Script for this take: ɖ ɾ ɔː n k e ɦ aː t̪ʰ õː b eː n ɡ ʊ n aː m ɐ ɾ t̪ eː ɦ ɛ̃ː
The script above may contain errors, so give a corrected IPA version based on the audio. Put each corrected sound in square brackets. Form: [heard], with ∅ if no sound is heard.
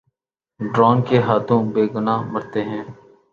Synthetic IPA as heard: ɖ ɾ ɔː n k e ɦ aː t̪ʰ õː b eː [∅] ɡ ʊ n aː m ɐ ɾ t̪ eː ɦ ɛ̃ː